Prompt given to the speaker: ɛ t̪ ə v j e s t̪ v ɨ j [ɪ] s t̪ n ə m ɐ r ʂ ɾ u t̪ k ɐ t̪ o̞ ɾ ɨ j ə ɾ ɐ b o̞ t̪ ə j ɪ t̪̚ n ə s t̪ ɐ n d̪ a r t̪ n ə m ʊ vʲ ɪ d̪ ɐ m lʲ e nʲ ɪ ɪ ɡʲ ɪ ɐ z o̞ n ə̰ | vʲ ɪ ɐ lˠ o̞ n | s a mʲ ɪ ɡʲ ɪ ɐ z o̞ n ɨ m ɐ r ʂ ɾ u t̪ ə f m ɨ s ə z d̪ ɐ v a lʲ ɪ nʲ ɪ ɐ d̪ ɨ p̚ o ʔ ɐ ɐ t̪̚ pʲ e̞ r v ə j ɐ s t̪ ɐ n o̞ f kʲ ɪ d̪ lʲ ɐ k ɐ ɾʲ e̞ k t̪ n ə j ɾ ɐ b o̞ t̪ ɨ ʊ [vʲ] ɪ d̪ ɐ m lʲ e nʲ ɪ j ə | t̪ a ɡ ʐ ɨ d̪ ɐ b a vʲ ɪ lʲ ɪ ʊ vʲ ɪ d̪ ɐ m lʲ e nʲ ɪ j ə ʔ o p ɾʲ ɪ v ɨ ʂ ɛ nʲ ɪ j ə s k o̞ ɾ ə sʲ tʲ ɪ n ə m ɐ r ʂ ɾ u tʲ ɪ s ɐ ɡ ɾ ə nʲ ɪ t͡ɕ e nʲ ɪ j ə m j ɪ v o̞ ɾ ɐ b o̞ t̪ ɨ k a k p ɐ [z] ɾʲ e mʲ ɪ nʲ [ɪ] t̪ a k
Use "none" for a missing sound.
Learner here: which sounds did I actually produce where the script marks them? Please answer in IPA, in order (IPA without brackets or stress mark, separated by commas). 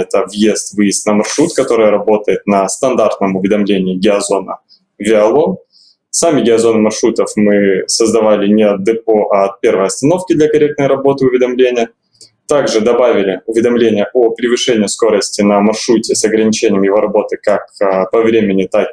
ɪ, vʲ, v, ɪ